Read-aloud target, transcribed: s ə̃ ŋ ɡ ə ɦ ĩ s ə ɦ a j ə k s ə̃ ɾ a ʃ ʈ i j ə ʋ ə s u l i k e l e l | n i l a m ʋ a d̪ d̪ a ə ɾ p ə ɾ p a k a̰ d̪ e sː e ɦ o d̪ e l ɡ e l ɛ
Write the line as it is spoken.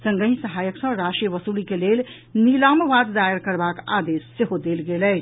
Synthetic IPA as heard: s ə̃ ŋ ɡ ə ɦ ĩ s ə ɦ a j ə k s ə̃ ɾ a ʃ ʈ i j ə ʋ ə s u l i k e l e l | n i l a m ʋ a d̪ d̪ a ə ɾ k ə ɾ b a k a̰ d̪ e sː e ɦ o d̪ e l ɡ e l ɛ